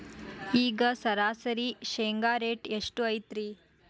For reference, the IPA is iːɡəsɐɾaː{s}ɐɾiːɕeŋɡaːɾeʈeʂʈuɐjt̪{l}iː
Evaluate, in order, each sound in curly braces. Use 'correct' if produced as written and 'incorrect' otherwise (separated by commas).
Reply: correct, incorrect